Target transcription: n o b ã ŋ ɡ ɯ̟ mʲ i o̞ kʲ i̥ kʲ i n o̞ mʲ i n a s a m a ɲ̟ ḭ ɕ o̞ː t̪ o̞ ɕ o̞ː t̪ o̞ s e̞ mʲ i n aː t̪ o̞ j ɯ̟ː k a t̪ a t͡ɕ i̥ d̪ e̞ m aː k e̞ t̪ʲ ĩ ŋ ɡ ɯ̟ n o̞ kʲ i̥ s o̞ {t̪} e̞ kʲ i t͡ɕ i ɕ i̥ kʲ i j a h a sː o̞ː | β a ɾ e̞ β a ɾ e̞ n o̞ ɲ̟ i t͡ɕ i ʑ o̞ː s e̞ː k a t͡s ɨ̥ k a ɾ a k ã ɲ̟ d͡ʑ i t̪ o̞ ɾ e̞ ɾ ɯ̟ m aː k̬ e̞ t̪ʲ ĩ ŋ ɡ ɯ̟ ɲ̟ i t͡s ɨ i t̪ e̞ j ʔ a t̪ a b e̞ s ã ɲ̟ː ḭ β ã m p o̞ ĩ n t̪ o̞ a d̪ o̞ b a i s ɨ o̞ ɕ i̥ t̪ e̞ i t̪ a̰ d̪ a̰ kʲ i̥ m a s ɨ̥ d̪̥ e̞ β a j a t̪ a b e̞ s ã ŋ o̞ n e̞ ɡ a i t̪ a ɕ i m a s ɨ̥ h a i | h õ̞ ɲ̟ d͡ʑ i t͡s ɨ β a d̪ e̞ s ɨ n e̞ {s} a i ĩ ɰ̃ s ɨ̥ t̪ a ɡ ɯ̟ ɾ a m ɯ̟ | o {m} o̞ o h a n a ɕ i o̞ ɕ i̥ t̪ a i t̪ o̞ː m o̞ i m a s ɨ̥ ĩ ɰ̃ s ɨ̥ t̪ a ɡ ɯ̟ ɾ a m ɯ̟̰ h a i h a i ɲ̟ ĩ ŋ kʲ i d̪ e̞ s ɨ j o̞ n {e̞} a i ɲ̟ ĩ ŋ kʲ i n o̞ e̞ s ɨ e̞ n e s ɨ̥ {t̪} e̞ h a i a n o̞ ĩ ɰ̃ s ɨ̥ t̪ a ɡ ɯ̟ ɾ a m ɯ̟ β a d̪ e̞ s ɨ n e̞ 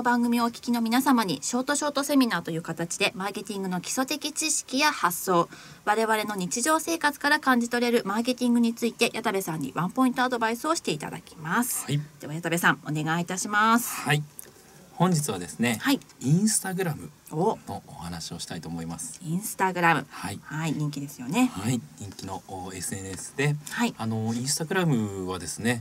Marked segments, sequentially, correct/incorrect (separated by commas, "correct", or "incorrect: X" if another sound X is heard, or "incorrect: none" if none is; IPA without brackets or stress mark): correct, incorrect: h, incorrect: n, correct, incorrect: d̪